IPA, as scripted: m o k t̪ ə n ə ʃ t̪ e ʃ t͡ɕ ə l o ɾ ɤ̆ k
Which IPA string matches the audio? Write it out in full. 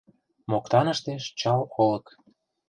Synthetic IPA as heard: m o k t̪ ɑ n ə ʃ t̪ e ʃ t͡ɕ ɑ l o l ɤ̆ k